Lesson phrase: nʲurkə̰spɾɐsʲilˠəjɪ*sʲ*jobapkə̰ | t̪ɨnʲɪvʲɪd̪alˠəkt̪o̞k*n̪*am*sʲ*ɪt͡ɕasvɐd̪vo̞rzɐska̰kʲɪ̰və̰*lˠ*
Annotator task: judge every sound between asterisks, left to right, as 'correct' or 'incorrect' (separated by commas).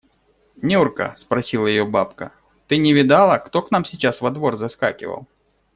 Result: incorrect, correct, correct, correct